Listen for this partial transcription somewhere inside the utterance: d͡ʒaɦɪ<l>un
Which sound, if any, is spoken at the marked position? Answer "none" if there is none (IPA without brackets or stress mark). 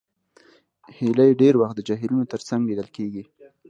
l